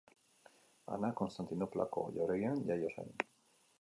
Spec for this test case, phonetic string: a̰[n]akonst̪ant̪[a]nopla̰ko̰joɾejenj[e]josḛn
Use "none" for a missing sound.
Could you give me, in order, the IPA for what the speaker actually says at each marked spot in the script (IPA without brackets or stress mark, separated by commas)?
n, i, a